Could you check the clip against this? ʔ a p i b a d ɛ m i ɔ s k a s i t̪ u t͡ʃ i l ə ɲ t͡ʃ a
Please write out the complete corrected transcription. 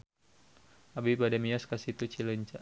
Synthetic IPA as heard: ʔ a b i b a d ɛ m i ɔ s k a s i t̪ u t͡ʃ i l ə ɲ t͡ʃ a